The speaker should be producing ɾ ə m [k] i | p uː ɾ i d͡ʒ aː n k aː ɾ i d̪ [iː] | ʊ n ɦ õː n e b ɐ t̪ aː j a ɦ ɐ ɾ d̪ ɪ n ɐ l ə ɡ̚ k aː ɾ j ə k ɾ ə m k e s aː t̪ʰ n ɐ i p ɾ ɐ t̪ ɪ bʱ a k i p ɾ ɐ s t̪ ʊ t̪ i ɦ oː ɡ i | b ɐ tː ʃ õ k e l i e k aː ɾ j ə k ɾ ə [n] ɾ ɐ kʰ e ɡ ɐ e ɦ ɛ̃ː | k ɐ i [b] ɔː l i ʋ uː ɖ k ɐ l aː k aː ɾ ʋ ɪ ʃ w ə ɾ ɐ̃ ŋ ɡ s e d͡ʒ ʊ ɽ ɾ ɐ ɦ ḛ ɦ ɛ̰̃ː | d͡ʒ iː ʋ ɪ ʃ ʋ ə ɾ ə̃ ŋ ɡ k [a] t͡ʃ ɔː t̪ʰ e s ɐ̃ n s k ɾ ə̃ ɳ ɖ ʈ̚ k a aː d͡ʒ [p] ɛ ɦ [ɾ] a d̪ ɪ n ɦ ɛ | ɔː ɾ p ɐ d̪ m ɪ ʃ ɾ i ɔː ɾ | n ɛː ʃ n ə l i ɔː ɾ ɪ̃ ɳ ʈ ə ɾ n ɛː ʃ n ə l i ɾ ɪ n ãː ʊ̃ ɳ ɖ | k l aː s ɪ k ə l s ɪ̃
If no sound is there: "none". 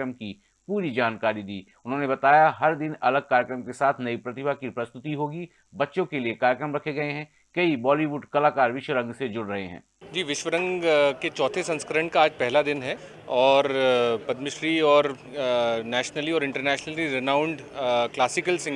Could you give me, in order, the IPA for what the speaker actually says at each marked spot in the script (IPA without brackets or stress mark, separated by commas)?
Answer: k, iː, m, b, e, p, l